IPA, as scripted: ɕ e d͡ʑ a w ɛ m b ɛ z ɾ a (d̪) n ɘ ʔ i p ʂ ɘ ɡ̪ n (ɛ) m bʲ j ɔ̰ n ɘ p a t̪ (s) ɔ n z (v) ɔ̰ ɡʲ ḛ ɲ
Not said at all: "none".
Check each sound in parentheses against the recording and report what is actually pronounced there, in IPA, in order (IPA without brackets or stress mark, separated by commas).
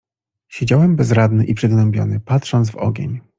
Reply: d̪, ɛ, ʂ, v